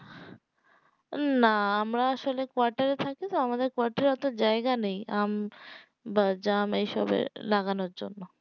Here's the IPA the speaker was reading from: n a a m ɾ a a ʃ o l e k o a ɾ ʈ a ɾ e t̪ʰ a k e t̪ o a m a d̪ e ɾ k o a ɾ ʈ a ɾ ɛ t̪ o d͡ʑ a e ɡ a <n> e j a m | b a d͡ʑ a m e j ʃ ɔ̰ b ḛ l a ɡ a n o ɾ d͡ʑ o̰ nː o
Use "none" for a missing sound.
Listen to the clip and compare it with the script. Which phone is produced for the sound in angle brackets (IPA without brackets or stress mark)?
n